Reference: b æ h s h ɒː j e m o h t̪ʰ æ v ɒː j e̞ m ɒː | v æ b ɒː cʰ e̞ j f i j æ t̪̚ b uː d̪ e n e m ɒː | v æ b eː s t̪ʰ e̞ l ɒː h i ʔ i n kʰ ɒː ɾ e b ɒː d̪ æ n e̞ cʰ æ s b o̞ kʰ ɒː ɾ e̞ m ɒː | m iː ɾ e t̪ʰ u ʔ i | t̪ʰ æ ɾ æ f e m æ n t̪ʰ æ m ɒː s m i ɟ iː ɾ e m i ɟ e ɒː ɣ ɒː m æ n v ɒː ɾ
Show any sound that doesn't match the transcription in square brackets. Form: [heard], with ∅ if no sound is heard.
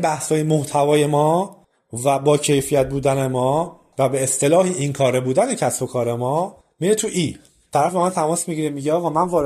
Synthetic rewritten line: b æ h s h ɒː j e m o h t̪ʰ æ v ɒː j e̞ m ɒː | v æ b ɒː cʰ e̞ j f i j æ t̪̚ b uː d̪ [æ] n e m ɒː | v æ b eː s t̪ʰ e̞ l ɒː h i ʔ i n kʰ ɒː ɾ e b [uː] d̪ æ n e̞ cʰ æ s b o̞ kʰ ɒː ɾ e̞ m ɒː | m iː ɾ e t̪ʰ u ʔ i | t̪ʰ æ ɾ æ f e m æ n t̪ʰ æ m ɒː s m i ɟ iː ɾ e m i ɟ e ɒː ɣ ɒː m æ n v ɒː ɾ